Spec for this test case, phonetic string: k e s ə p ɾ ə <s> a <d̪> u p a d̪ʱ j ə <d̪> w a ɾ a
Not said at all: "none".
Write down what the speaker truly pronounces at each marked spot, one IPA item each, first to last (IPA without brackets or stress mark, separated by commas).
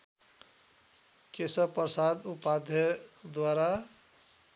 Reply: s, d̪, d̪